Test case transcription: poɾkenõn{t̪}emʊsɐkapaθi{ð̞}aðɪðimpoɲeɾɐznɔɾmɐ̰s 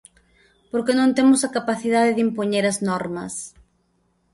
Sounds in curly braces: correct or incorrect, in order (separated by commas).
correct, correct